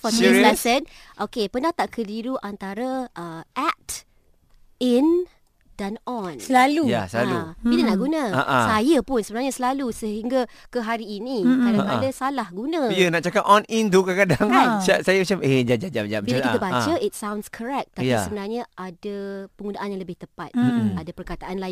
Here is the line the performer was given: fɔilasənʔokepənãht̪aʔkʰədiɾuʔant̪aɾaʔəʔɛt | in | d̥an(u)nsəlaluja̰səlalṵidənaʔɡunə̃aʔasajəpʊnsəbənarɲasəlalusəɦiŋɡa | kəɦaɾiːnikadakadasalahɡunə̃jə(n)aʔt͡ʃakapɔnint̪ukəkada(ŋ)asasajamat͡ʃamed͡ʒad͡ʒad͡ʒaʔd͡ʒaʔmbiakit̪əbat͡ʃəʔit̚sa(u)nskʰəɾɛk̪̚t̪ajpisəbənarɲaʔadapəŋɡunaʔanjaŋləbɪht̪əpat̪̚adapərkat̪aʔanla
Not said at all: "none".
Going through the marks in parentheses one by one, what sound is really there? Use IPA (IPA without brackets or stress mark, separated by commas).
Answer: ɔ, n, ŋ, w